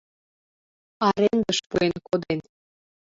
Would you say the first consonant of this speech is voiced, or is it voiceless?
voiced